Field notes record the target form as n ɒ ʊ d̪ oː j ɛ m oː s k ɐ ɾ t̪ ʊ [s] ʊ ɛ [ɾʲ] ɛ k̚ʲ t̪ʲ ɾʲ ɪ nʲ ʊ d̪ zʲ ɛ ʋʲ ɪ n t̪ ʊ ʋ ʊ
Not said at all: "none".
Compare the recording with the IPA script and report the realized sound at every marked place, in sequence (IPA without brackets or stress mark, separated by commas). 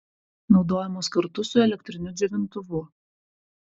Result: s, lʲ